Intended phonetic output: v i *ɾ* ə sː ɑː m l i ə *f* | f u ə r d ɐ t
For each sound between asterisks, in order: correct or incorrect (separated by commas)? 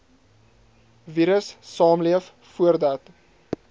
correct, correct